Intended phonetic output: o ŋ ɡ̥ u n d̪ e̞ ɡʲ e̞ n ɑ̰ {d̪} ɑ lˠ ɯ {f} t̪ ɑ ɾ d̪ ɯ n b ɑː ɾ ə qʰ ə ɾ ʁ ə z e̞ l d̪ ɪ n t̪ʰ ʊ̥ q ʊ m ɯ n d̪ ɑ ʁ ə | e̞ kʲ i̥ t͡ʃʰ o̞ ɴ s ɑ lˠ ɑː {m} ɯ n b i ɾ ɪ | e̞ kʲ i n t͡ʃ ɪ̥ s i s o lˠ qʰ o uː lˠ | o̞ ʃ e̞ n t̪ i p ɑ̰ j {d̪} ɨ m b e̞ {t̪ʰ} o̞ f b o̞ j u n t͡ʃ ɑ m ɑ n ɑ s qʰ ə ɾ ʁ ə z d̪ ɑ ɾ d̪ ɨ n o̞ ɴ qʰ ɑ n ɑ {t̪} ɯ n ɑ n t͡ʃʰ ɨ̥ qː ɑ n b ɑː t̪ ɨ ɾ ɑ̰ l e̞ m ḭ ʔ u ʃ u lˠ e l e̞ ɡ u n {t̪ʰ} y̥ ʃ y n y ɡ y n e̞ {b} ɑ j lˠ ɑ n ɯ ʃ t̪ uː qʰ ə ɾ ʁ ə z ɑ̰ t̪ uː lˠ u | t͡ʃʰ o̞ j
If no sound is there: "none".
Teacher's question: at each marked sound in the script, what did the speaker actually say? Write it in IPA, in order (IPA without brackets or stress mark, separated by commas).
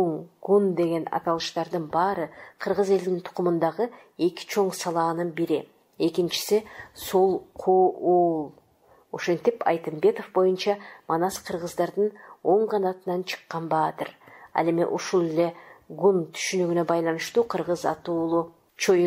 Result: t̪, ʃ, n, t̪, t̪, t̪, t̪ʰ, b